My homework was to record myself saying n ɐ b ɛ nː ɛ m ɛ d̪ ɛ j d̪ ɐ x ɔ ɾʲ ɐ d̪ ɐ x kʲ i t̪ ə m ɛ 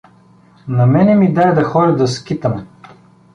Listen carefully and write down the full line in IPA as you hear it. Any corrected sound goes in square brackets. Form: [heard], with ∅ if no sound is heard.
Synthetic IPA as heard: n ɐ [m] ɛ [n] ɛ m [i] d̪ [a] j d̪ ɐ x ɔ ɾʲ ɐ d̪ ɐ [s] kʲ i t̪ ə m ɛ